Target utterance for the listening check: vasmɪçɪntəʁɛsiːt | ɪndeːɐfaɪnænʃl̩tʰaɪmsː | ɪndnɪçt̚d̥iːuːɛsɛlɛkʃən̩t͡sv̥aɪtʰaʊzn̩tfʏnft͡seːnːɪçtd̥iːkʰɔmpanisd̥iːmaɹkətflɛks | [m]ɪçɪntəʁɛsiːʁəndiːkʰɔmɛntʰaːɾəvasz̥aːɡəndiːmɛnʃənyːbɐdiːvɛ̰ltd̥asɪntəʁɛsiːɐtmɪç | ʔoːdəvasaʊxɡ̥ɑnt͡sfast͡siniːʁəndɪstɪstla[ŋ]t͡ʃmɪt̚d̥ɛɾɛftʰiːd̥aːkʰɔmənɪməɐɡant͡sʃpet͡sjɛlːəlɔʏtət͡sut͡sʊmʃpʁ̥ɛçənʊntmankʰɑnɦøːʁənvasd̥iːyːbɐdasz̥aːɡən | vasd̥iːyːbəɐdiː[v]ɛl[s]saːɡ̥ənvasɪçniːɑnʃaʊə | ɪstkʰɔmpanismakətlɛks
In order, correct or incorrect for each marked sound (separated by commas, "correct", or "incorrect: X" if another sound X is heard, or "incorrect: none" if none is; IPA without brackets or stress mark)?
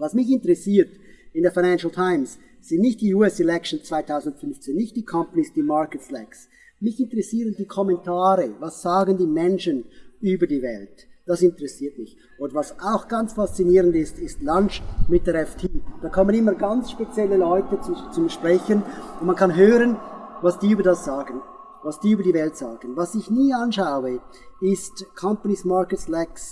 correct, incorrect: n, correct, incorrect: t